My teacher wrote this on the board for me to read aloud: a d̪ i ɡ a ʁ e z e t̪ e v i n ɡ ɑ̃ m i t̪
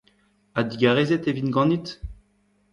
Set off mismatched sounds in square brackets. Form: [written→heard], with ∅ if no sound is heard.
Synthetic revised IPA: a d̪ i ɡ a ʁ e z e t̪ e v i n ɡ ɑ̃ [m→n] i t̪